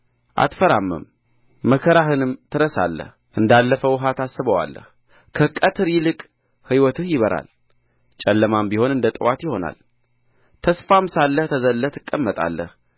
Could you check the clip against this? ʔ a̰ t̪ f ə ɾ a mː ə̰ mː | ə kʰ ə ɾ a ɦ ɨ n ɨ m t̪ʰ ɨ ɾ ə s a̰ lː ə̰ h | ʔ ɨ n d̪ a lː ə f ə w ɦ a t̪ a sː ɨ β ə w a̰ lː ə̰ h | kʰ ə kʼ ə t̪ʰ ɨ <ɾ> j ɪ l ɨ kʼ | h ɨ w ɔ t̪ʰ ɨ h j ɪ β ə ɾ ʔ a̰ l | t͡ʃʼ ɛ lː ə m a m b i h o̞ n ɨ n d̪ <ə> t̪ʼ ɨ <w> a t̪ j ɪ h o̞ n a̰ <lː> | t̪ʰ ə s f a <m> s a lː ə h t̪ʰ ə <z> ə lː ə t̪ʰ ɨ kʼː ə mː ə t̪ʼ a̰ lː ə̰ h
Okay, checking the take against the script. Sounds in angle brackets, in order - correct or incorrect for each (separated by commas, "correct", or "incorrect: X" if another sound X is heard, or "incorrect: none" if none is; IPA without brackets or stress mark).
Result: correct, correct, correct, incorrect: l, correct, correct